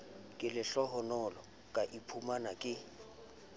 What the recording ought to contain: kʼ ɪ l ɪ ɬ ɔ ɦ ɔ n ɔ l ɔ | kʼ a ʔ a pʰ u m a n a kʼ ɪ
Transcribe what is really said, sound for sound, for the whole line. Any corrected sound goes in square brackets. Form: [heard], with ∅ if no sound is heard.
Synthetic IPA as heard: kʼ ɪ l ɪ ɬ ɔ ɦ ɔ n ɔ l ɔ | kʼ a ʔ [i] pʰ u m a n a kʼ ɪ